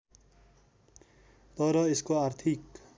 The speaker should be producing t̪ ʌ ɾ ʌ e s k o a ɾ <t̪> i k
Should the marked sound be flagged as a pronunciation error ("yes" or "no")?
yes